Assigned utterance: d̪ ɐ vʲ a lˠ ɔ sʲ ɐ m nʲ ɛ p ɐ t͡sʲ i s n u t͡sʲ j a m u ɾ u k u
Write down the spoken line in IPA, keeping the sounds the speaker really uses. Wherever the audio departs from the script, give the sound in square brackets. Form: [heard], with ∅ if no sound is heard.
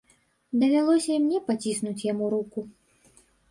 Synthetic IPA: d̪ ɐ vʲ a lˠ ɔ sʲ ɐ m nʲ ɛ p [a] t͡sʲ i s n u t͡sʲ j a m u ɾ u k u